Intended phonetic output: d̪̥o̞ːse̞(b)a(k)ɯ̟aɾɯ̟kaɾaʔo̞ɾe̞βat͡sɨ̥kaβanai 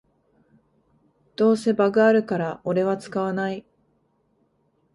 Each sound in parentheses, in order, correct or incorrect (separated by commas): correct, incorrect